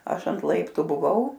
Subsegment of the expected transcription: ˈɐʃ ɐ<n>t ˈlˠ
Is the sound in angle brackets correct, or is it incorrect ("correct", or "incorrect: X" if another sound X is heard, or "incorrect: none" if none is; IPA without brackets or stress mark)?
correct